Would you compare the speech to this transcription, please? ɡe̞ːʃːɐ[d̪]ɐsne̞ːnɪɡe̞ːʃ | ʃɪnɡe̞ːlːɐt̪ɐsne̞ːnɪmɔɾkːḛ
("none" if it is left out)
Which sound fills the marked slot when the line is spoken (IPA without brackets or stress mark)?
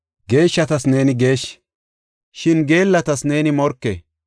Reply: t̪